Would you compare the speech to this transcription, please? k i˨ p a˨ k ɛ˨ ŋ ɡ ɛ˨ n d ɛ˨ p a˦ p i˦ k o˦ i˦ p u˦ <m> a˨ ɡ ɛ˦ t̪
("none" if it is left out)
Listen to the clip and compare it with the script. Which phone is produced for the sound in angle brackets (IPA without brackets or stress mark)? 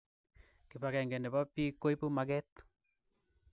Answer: m